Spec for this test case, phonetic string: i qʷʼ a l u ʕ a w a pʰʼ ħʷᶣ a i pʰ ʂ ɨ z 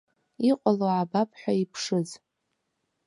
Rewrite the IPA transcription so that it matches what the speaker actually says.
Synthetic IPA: i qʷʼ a l o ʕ a b a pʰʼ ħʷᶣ a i pʰ ʂ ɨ z